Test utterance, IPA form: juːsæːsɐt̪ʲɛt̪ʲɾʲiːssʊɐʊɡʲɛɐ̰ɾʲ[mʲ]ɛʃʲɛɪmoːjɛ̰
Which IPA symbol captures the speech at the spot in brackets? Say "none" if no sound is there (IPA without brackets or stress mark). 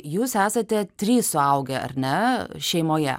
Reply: nʲ